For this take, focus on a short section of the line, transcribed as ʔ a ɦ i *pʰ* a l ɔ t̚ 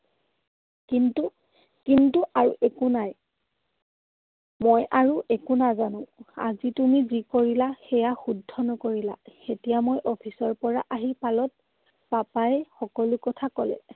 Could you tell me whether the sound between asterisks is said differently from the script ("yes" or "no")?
yes